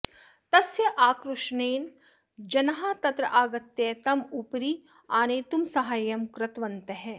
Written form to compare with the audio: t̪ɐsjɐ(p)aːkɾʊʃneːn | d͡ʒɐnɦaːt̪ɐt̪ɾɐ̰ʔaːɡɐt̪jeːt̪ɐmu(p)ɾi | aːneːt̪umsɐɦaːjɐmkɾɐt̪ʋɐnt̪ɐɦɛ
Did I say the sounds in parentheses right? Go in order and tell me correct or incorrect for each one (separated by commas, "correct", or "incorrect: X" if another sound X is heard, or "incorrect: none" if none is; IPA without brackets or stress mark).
incorrect: ʔ, correct